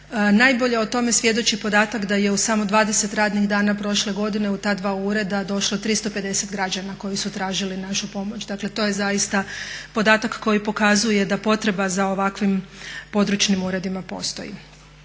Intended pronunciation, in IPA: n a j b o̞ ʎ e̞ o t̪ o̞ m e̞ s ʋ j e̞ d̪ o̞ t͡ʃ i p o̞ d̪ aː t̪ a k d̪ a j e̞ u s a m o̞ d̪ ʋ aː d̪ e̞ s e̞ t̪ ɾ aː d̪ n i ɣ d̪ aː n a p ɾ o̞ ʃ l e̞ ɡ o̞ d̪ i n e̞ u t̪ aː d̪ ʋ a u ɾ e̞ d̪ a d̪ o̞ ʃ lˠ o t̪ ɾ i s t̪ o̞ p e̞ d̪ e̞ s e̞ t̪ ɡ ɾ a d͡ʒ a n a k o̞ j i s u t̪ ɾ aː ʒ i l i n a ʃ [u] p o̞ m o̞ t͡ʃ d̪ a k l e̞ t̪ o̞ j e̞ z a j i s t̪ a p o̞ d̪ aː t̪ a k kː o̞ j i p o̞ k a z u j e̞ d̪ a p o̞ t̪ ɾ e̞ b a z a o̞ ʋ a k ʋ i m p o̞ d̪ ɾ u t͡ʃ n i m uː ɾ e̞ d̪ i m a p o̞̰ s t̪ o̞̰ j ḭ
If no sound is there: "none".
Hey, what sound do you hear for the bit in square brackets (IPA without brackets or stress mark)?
u